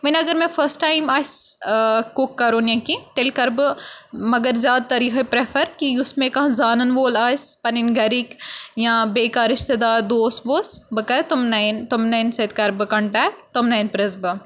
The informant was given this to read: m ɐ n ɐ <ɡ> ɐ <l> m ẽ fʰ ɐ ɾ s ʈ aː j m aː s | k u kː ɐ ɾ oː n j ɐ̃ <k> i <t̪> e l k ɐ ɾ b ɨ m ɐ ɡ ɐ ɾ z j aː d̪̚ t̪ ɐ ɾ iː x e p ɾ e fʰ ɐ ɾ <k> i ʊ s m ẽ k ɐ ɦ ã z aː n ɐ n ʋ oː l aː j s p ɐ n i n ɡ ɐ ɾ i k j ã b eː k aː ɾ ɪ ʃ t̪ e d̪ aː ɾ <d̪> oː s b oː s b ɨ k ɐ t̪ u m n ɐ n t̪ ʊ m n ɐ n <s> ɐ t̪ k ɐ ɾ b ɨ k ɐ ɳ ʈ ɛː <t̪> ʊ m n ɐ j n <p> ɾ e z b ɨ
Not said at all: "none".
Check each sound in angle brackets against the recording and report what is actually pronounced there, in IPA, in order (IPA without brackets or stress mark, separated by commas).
ɡ, ɾ, k, t̪, k, d̪, s, t̪, p